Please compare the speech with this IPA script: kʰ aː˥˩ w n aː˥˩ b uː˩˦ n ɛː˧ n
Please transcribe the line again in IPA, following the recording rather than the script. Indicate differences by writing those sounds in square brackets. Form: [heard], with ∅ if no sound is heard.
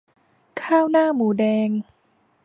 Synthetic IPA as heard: kʰ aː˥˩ w n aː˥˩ [m] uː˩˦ [d] ɛː˧ [ŋ]